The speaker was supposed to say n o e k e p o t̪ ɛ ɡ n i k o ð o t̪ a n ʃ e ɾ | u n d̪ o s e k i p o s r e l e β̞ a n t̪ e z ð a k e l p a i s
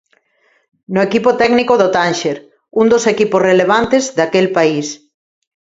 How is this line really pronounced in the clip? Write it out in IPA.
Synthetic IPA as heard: n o e k i p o t̪ ɛ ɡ n i k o ð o t̪ a n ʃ e ɾ | u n d̪ o s e k i p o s r e l e β̞ a n t̪ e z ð a k e l p a i s